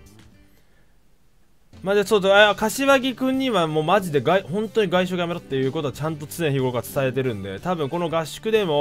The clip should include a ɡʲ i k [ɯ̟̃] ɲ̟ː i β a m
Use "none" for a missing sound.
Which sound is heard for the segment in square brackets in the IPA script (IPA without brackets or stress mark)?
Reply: ɯ̟̃